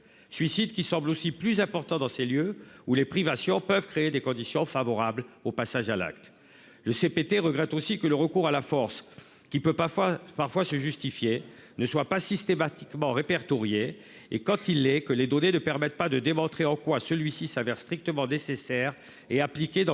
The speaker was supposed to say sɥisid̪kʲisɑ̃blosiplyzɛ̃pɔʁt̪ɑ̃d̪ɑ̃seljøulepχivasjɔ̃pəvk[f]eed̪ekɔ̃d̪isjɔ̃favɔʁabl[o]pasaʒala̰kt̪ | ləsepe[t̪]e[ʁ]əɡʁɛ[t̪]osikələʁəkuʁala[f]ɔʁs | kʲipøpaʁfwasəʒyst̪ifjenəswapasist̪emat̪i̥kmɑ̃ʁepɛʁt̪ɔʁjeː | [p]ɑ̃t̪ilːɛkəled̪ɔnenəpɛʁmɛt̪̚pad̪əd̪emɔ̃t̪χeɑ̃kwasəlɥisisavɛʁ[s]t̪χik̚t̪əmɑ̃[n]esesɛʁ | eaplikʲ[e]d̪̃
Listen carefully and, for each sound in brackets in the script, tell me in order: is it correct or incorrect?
incorrect: χ, correct, correct, correct, correct, correct, incorrect: k, correct, correct, correct

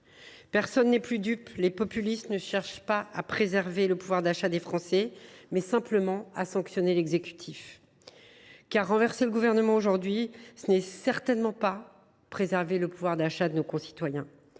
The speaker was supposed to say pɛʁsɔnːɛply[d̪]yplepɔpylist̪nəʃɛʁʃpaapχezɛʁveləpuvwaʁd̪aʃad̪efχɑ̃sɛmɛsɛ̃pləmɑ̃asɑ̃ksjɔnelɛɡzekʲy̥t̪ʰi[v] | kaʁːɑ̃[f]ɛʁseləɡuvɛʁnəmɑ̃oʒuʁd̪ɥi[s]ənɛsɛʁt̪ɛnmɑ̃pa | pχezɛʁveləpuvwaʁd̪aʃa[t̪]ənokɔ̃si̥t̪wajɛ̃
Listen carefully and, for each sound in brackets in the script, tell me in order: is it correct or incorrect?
correct, incorrect: f, incorrect: v, correct, incorrect: d̪

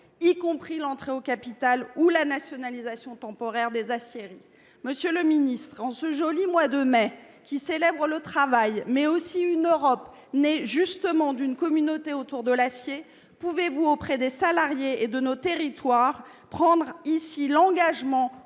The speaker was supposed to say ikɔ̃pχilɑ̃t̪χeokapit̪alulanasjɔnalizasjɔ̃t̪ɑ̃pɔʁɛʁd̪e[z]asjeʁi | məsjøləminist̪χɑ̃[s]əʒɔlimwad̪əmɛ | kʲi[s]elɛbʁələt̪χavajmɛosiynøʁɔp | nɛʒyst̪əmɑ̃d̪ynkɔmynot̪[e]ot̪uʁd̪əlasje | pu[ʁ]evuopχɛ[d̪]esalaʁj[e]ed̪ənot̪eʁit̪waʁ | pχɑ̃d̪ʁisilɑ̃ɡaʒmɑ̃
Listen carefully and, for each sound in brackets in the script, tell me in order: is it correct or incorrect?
correct, correct, correct, correct, incorrect: v, correct, correct

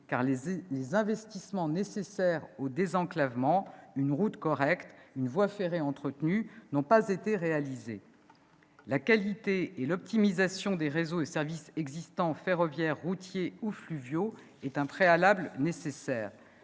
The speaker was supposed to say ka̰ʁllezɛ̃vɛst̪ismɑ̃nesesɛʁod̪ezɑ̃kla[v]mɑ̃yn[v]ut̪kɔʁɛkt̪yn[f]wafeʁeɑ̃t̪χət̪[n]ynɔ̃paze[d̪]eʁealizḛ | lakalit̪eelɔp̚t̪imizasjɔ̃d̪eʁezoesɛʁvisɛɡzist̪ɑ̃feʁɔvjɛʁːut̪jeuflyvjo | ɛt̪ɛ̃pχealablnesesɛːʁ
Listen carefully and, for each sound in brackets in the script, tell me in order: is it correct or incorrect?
correct, incorrect: ʁ, incorrect: v, correct, incorrect: t̪

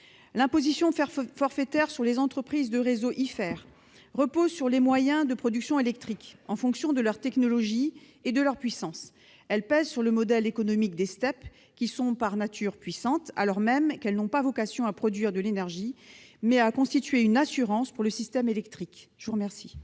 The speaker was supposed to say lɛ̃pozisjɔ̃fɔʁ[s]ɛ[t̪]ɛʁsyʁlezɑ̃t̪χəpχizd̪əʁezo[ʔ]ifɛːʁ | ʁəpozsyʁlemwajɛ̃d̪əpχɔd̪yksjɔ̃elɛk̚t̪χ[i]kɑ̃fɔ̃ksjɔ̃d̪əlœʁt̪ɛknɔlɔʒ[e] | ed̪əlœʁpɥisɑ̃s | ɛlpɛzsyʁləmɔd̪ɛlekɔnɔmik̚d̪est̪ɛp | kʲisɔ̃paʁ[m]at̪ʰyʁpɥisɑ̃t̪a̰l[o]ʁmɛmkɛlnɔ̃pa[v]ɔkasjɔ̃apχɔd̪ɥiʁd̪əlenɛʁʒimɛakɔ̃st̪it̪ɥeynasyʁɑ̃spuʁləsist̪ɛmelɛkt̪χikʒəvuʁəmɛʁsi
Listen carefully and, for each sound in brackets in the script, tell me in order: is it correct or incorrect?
incorrect: f, correct, correct, correct, incorrect: i, incorrect: n, incorrect: ɔ, correct

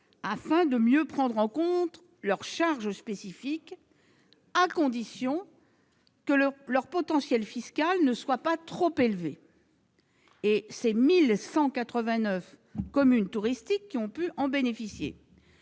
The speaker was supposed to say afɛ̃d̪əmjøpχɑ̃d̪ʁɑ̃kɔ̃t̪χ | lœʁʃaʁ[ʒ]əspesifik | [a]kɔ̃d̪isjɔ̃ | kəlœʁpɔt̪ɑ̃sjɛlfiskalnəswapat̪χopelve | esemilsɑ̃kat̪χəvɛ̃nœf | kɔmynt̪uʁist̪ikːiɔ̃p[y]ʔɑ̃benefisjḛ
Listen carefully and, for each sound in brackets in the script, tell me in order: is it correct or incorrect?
correct, correct, correct

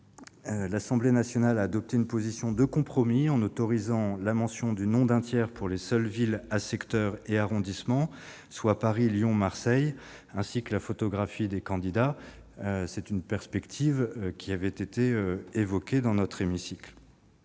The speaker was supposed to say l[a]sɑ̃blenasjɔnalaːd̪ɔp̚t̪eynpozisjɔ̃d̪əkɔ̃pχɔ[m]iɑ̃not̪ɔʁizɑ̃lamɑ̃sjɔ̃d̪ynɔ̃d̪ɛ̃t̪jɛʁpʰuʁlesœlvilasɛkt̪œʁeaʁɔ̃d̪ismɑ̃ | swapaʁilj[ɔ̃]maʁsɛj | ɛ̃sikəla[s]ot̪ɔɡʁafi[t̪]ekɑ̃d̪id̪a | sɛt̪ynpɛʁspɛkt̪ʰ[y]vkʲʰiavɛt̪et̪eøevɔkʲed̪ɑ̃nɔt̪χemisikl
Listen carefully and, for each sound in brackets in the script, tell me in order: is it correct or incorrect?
correct, correct, correct, incorrect: f, incorrect: d̪, incorrect: i

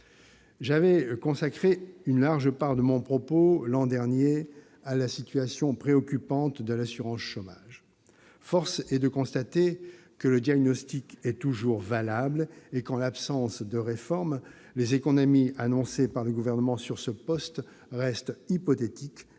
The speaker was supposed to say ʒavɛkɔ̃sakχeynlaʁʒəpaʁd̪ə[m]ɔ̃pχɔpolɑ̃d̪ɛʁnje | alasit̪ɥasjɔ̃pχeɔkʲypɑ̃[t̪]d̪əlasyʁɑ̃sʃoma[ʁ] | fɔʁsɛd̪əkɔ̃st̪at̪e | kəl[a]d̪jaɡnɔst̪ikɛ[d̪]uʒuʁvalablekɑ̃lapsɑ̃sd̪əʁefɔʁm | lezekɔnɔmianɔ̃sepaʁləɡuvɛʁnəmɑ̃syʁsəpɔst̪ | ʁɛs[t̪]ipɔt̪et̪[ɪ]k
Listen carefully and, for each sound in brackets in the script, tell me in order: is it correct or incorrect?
correct, correct, incorrect: ʒ, incorrect: ə, incorrect: t̪, correct, incorrect: i

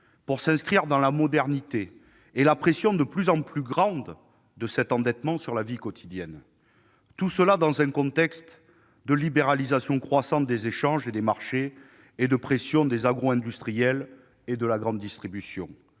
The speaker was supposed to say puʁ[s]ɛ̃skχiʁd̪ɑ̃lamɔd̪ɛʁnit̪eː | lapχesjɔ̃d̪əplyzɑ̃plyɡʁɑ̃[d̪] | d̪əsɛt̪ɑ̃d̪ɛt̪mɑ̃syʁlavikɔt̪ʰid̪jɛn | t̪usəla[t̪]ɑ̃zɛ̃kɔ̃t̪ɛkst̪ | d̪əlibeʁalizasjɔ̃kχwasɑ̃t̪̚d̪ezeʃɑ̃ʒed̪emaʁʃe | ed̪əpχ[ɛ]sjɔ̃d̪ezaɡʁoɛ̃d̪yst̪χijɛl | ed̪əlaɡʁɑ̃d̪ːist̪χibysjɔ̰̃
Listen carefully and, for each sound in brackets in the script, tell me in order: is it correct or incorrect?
correct, correct, incorrect: d̪, incorrect: e

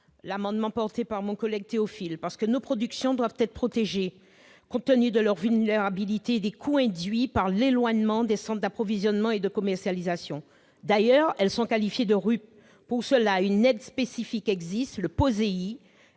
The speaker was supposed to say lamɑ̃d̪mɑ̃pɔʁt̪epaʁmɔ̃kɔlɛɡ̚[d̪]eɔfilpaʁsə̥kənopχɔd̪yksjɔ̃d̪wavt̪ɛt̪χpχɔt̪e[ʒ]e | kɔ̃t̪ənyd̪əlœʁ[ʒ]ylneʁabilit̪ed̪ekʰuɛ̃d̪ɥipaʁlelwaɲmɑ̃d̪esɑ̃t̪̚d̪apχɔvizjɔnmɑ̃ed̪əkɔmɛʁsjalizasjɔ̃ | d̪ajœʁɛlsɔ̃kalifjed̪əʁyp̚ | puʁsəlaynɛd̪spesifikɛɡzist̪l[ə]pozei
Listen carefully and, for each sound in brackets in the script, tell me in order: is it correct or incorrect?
incorrect: t̪, correct, incorrect: v, correct

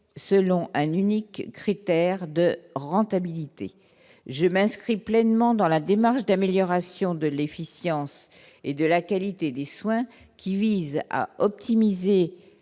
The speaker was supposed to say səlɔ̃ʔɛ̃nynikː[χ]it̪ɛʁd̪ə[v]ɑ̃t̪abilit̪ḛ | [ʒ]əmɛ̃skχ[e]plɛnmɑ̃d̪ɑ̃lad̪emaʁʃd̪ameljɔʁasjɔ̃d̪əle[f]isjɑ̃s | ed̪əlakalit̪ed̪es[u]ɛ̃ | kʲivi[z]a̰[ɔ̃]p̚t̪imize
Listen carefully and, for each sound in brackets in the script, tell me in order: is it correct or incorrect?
correct, incorrect: ʁ, correct, incorrect: i, correct, incorrect: w, correct, incorrect: ɔ

